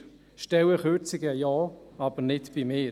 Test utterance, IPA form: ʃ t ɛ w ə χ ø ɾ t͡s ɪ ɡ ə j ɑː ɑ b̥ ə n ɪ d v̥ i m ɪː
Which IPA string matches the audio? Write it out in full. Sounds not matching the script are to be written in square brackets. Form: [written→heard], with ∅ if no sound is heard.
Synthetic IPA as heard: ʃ t ɛ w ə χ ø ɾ t͡s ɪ ɡ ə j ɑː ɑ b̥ ə n ɪ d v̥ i m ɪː